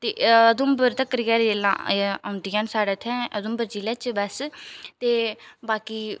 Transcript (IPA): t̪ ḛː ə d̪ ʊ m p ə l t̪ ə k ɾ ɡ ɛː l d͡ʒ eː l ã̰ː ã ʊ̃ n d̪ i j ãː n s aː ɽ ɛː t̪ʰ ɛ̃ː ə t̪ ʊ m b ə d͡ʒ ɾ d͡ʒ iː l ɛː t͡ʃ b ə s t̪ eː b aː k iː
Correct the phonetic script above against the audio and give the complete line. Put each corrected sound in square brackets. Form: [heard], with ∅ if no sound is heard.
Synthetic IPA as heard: t̪ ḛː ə d̪ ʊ m [b] ə [ɾ] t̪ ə k ɾ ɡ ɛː [ɾ] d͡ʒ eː l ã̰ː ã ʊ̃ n d̪ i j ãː n s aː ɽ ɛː t̪ʰ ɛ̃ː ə [d̪] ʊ m b ə [∅] ɾ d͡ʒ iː l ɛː t͡ʃ b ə s t̪ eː b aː k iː